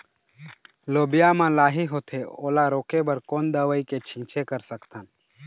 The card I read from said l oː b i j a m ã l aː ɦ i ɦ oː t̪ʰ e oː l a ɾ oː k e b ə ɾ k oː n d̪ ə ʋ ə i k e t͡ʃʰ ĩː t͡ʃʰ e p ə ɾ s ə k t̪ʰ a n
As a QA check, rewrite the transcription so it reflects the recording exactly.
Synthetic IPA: l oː b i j a m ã l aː ɦ i ɦ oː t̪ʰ e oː l a ɾ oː k e b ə ɾ k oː n d̪ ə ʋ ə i k e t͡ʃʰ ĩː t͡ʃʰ e k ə ɾ s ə k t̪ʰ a n